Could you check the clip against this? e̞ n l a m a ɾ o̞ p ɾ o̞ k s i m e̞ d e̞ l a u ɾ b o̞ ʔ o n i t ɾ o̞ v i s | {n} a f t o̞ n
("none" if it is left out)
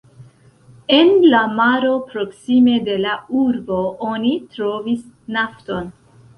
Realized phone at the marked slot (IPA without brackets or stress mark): n